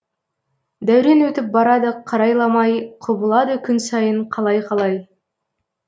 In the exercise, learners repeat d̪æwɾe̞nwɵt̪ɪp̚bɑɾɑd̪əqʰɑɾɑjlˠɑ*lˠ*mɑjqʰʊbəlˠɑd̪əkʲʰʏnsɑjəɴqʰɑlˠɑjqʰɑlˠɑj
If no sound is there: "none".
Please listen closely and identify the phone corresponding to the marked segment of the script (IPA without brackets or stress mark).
none